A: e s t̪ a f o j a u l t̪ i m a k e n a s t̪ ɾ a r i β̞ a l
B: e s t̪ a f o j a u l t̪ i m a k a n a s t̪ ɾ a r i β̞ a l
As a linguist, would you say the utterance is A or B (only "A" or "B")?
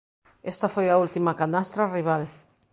B